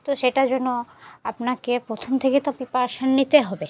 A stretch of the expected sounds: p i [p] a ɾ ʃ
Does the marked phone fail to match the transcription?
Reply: no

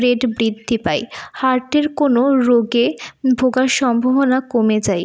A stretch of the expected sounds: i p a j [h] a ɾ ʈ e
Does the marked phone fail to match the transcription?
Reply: no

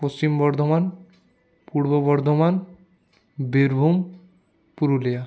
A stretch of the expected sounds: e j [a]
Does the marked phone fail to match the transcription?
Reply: no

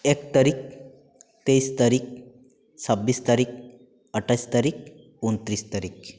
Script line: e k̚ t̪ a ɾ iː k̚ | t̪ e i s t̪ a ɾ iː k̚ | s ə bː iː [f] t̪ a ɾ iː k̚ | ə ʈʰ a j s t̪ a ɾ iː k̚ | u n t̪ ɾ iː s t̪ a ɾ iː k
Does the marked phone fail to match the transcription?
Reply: yes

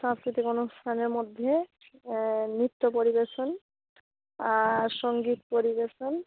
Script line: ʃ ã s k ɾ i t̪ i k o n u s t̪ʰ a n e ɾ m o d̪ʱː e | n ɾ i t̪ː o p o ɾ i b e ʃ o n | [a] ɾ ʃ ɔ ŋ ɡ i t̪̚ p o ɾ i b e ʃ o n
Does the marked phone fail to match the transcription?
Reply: no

